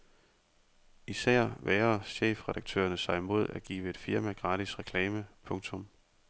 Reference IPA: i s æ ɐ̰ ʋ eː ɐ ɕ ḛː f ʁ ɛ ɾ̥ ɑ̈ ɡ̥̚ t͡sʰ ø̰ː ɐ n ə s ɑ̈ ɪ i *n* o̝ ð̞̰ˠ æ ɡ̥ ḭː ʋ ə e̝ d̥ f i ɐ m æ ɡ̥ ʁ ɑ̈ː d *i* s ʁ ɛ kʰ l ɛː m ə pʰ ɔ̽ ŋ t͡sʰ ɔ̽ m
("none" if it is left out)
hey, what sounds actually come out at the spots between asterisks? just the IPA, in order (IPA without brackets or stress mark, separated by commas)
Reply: m, i